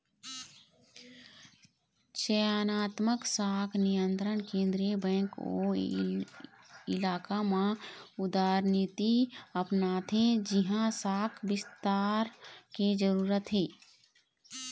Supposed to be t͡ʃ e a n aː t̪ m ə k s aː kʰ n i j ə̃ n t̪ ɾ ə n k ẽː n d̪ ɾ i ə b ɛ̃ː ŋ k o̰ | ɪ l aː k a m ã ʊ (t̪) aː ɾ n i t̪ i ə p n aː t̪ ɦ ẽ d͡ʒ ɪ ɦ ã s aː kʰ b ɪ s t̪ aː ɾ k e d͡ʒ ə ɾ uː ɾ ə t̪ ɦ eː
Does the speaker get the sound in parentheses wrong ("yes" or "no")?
yes